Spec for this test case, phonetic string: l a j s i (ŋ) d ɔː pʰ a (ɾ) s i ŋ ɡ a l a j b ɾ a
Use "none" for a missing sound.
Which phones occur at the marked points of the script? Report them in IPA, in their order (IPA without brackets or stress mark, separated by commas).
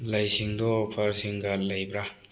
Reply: ŋ, ɾ